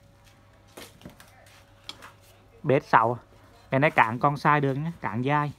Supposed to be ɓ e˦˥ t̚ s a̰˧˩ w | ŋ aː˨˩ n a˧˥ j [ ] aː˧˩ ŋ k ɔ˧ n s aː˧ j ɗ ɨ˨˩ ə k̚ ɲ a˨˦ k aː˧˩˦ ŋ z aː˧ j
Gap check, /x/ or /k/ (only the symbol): k